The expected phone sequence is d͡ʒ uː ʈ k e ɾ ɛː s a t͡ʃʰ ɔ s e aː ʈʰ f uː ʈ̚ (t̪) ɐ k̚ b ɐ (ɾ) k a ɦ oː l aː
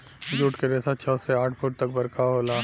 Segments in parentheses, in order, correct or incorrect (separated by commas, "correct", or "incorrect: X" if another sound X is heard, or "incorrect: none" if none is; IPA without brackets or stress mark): correct, correct